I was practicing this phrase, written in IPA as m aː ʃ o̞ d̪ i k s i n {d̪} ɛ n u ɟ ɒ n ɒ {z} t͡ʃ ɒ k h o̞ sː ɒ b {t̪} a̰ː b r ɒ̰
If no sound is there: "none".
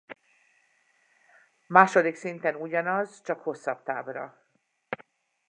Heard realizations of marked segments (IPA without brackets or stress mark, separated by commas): t̪, z, t̪